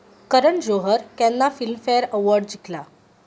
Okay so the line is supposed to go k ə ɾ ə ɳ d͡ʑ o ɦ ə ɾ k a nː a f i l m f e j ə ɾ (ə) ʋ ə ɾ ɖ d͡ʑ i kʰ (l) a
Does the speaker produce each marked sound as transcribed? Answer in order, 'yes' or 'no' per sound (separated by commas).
yes, yes